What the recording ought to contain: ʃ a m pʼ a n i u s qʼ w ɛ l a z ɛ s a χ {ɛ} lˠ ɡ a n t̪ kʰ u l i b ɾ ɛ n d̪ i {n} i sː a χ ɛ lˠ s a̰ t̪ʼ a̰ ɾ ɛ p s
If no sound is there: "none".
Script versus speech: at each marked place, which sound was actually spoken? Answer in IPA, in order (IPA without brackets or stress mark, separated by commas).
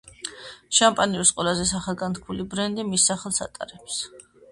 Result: a, m